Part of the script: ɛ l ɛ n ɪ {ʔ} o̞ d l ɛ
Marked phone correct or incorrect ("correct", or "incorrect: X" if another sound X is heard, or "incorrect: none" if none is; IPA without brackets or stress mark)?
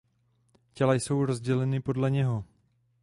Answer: incorrect: p